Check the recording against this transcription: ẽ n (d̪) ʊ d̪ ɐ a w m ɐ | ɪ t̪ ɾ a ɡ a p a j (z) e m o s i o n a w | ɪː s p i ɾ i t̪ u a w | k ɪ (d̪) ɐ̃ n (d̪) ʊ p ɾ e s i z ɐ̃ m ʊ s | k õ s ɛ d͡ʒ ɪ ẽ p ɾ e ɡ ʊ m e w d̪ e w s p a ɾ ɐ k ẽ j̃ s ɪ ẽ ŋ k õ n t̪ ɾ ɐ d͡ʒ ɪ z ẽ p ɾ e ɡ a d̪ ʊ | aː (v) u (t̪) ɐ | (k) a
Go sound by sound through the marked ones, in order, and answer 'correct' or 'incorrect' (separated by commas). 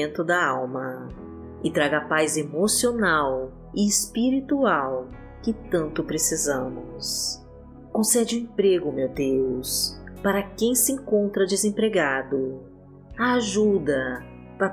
incorrect, correct, incorrect, incorrect, incorrect, incorrect, incorrect